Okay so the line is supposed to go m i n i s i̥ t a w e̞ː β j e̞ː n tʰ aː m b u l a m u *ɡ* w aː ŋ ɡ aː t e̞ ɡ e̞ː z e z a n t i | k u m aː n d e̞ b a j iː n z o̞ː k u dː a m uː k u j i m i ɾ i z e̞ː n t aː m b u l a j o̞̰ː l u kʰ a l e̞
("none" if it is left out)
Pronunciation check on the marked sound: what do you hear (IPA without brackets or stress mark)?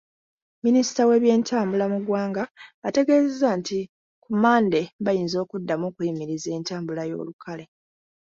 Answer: ɡ